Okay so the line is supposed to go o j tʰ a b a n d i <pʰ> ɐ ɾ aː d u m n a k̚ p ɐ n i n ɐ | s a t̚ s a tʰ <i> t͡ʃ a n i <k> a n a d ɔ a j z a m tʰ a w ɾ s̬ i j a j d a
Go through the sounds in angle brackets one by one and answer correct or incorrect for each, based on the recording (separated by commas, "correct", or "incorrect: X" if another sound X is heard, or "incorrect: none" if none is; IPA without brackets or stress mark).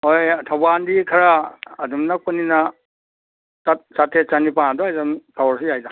incorrect: kʰ, incorrect: e, incorrect: p